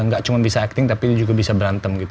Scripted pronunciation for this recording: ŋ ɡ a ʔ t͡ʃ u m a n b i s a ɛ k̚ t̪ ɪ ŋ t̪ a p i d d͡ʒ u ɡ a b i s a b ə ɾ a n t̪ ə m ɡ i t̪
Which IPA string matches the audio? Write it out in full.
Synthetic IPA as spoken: ŋ ɡ a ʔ t͡ʃ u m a n b i s a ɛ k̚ t̪ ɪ ŋ t̪ a p i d d͡ʒ u ɡ a b i s a b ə ɾ a n t̪ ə m ɡ i t̪